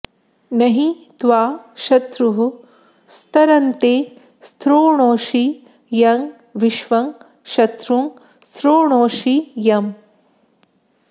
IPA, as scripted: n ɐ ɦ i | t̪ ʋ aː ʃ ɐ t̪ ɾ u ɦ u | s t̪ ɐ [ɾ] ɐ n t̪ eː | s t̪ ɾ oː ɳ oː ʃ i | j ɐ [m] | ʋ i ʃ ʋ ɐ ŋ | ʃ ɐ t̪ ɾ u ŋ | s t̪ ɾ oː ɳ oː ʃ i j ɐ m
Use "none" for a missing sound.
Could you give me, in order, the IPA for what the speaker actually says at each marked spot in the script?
ɾ, ŋ

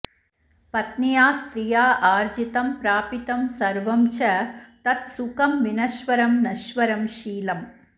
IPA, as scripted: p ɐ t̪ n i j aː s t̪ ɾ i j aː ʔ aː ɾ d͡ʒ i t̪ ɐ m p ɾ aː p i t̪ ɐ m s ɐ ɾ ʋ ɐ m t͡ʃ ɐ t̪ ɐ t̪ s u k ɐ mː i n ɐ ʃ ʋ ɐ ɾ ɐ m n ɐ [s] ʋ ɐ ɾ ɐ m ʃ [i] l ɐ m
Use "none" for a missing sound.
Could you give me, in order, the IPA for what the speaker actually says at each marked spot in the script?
ʃ, iː

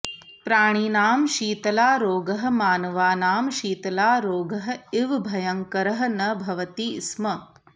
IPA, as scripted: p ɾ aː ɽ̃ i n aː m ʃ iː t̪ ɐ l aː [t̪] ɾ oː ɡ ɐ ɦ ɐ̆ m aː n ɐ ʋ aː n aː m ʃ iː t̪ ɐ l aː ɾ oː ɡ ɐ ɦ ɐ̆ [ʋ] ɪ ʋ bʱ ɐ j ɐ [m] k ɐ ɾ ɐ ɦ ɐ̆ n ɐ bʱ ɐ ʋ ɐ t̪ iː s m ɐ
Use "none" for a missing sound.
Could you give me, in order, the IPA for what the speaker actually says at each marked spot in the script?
none, none, ŋ

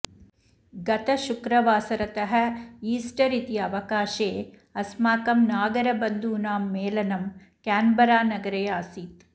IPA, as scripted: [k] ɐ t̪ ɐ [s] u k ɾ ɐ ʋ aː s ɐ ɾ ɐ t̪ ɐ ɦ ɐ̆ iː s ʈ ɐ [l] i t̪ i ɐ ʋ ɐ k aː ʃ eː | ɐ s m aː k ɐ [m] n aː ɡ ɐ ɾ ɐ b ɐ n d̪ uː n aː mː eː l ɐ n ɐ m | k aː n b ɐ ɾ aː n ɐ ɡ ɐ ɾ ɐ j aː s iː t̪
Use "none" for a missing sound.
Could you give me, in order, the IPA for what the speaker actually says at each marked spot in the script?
ɡ, ʃ, ɾ, m

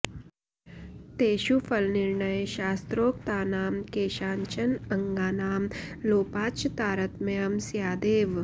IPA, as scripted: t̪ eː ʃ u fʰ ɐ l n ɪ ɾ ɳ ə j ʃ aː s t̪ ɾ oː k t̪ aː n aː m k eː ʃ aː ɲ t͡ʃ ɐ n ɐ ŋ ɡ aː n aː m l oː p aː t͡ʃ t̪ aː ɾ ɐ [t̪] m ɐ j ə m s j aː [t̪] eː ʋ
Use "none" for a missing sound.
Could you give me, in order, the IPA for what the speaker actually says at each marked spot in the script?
t̪, d̪

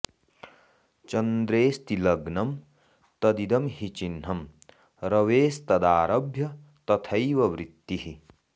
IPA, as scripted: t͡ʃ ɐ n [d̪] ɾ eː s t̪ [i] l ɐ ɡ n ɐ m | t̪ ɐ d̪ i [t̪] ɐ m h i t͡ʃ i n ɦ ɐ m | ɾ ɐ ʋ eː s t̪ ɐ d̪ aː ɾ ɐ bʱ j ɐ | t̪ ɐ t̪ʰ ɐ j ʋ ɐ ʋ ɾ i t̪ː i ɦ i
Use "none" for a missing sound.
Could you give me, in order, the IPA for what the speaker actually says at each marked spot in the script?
d̪, i, d̪

